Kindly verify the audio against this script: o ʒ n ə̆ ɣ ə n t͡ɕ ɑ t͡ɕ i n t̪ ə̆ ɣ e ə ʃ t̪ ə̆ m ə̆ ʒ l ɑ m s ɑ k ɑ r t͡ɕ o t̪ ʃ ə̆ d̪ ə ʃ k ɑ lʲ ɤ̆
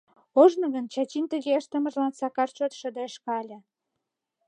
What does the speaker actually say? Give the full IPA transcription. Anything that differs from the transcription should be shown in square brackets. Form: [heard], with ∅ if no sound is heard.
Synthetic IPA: o ʒ n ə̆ ɣ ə n t͡ɕ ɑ t͡ɕ i n t̪ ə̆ ɣ e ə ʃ t̪ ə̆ m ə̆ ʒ l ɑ [n] s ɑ k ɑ r t͡ɕ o t̪ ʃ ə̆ d̪ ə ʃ k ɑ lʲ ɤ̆